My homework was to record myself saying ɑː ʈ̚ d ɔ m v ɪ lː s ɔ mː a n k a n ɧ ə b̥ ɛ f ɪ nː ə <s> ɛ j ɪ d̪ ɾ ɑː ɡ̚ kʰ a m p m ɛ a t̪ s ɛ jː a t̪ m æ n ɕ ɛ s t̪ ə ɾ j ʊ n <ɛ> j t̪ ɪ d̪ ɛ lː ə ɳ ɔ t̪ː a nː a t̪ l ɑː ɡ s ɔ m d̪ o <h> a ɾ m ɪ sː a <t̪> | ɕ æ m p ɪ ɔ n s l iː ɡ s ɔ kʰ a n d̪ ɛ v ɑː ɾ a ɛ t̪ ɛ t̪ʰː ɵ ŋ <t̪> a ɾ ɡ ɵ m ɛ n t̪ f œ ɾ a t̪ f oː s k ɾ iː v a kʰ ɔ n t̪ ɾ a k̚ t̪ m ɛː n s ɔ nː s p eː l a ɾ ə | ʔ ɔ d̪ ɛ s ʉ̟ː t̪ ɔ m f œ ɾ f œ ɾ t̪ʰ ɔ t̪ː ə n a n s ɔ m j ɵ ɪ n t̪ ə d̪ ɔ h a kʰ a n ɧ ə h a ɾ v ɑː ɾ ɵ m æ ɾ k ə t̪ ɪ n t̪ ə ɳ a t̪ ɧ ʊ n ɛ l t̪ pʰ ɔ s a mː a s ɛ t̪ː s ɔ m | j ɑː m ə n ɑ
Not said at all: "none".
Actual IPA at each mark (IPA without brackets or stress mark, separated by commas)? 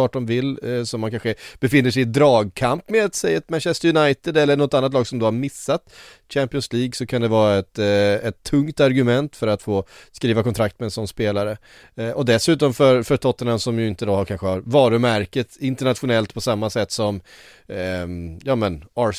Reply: ʂ, a, h, t̪, t̪